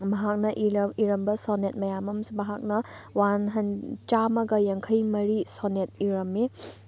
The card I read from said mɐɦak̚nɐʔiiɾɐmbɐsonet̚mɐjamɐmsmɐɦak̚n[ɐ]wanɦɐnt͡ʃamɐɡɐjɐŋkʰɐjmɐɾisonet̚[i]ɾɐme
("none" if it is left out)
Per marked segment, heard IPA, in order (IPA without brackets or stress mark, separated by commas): ɐ, i